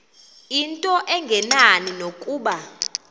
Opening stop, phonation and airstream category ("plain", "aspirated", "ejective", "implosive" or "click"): ejective